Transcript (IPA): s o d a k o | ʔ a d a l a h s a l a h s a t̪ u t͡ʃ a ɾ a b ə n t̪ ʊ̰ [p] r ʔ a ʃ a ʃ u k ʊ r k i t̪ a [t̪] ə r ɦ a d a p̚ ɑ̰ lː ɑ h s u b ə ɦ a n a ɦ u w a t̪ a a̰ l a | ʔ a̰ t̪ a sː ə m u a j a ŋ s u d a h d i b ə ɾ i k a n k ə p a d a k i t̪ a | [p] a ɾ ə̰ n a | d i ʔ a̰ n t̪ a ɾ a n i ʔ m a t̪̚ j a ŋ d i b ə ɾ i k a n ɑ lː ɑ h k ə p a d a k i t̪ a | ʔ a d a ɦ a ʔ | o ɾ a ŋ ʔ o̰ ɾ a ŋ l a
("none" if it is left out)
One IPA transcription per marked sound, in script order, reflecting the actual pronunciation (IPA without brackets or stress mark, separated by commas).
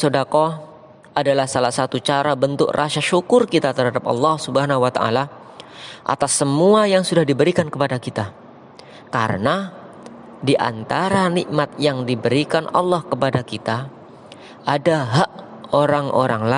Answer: k, t̪, k